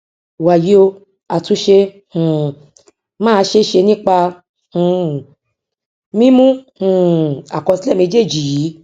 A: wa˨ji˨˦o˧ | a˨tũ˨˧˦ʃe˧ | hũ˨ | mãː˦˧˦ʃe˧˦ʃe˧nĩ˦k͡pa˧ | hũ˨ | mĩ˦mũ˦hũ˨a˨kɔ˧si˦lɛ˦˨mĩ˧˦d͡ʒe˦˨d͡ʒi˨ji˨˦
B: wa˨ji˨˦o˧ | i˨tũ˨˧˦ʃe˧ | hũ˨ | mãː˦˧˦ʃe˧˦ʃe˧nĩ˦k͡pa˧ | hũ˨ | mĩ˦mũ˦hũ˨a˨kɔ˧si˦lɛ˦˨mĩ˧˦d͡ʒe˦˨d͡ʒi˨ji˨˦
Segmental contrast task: A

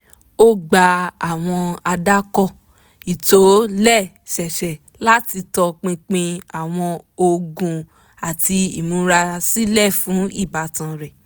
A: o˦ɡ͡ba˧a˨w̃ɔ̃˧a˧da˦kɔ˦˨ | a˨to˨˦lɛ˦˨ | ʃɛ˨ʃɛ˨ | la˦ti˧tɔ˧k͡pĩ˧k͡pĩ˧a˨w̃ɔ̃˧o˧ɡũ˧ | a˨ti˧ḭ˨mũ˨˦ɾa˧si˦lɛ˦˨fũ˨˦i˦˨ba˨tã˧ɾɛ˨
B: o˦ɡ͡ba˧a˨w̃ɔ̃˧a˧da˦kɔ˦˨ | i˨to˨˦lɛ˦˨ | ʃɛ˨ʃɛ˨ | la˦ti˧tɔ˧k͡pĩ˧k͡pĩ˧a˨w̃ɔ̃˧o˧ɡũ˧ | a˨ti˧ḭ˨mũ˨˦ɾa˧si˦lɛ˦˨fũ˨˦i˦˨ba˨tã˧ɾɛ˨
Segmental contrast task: B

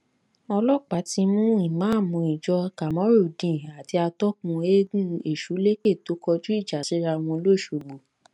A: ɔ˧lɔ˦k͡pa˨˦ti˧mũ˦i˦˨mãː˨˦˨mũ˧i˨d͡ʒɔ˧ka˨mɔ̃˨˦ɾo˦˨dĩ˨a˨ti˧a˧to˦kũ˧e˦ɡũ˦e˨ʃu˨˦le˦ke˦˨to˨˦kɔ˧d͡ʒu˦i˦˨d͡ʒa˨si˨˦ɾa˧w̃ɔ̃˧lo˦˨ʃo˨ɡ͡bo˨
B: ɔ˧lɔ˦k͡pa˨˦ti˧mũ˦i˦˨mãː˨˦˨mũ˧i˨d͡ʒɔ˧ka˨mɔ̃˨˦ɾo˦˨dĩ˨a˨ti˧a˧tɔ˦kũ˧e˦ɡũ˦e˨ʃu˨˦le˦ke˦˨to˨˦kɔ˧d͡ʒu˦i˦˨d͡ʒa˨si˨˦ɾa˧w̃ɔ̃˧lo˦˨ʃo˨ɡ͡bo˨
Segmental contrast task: B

